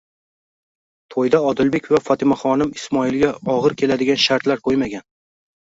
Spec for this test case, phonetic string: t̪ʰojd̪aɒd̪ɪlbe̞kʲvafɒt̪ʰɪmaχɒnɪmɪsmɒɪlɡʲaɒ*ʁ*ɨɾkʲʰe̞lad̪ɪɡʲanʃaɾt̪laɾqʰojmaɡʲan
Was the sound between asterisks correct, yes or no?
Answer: yes